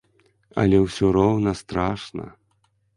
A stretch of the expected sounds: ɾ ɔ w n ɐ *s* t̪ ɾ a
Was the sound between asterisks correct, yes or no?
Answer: yes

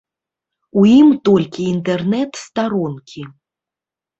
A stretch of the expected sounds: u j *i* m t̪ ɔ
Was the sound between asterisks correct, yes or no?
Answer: yes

